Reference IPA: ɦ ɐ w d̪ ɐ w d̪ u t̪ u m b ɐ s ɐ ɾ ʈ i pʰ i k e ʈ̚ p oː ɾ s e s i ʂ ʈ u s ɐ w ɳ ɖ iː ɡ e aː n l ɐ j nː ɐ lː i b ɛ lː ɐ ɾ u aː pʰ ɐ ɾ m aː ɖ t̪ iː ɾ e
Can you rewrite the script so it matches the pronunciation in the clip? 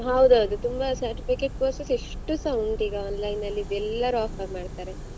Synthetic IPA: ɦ ɐ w d̪ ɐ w d̪ u t̪ u m b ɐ s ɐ ɾ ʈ i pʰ i k e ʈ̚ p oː ɾ s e s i ʂ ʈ u s ɐ w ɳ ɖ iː ɡ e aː n l ɐ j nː ɐ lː i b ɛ lː ɐ ɾ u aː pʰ ɐ ɾ m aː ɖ t̪ aː ɾ e